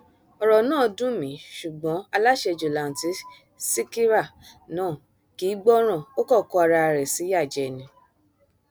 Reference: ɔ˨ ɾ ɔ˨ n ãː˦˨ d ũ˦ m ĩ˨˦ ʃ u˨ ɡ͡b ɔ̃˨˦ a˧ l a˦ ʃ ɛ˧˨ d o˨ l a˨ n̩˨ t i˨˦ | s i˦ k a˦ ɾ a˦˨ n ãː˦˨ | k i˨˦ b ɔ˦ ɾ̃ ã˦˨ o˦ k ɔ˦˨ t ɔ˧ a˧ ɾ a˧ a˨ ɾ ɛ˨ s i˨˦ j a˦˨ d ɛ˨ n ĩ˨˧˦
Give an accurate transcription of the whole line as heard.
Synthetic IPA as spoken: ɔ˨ ɾ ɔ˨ n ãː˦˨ d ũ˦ m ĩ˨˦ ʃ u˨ ɡ͡b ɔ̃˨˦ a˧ l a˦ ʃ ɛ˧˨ d͡ʒ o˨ l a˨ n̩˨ t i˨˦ | s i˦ k i˦ ɾ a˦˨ n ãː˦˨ | k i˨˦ ɡ͡b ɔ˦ ɾ̃ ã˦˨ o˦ k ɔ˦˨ k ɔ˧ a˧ ɾ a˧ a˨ ɾ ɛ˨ s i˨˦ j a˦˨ d͡ʒ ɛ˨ n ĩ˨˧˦